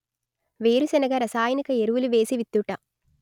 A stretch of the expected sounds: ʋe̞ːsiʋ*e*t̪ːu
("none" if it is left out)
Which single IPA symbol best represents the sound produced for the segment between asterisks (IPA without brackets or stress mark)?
i